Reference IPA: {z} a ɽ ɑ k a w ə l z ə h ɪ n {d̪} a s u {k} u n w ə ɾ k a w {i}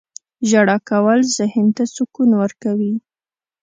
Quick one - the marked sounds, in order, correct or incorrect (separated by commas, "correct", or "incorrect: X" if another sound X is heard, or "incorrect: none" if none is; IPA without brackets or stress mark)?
incorrect: ʒ, incorrect: t̪, correct, correct